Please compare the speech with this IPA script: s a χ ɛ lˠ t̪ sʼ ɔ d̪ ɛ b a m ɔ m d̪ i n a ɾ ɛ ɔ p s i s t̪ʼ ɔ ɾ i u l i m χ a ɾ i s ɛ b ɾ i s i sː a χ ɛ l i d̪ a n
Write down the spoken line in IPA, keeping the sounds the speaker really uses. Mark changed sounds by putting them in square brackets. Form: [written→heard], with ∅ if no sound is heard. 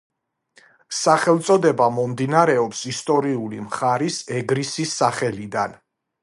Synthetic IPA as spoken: s a χ ɛ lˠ t̪ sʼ ɔ d̪ ɛ b a m ɔ m d̪ i n a ɾ ɛ ɔ p s i s t̪ʼ ɔ ɾ i u l i m χ a ɾ i s ɛ [b→ɡ] ɾ i s i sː a χ ɛ l i d̪ a n